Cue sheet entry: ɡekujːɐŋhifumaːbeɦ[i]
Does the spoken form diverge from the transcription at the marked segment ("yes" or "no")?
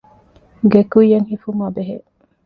yes